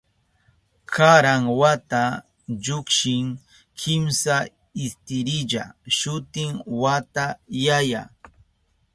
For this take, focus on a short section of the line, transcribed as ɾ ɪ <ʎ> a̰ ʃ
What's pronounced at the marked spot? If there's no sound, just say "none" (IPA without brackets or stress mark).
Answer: ʎ